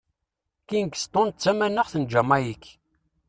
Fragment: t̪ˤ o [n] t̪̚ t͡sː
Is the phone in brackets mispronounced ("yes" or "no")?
no